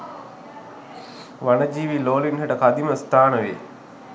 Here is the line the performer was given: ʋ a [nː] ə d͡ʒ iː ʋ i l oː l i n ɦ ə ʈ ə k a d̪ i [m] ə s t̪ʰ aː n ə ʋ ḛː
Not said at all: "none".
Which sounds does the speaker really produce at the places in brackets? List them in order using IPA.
n, m

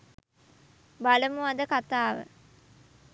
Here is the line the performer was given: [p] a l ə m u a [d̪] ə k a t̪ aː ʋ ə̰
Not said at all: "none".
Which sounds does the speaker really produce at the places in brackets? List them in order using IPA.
b, d̪

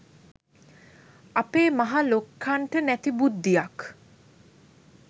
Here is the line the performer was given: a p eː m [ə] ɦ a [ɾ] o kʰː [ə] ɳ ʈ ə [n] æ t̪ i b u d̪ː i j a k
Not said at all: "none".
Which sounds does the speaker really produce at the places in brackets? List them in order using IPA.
a, l, a, n

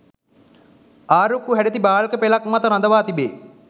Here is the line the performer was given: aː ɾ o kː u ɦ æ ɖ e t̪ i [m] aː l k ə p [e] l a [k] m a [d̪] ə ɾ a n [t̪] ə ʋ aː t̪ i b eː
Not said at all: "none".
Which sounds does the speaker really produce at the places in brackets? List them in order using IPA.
b, e, k, t̪, d̪

